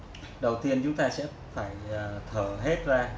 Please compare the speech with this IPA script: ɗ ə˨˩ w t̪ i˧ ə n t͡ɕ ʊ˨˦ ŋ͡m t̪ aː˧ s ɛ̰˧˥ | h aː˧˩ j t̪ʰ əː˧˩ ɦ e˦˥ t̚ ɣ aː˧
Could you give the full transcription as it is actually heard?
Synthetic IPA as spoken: ɗ ə˨˩ w t̪ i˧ ə n t͡ɕ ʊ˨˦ ŋ͡m t̪ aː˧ s ɛ̰˧˥ | f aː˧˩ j t̪ʰ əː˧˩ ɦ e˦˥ t̚ z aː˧